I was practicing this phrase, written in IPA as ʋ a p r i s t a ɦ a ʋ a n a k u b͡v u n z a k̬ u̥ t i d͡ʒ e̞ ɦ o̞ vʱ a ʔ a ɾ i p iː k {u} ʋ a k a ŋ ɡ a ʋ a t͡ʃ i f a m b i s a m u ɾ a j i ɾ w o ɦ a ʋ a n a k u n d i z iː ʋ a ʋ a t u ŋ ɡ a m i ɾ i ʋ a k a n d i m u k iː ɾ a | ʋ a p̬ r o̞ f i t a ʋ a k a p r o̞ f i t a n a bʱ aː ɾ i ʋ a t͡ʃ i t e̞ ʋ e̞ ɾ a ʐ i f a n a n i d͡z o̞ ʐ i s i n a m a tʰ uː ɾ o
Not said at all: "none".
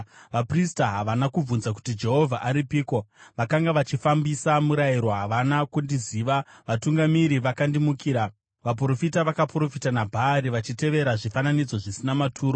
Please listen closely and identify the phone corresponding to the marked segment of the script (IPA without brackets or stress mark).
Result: o